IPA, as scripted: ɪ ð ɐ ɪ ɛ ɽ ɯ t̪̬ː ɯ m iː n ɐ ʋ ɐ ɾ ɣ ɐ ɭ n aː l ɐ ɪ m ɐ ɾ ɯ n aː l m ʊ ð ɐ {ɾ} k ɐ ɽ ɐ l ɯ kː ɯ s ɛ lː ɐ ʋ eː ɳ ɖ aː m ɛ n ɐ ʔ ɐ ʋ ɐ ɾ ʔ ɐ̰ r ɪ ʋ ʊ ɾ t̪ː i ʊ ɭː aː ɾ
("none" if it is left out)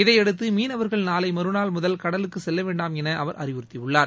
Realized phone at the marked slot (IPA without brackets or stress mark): l